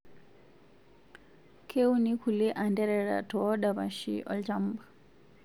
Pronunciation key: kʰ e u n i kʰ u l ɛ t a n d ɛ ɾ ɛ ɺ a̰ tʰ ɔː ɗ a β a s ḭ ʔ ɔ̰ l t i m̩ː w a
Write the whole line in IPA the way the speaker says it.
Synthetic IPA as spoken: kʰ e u n i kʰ u l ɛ ʔ a n d ɛ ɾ ɛ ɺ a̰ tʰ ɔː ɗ a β a ʃ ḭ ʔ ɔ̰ l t a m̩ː b a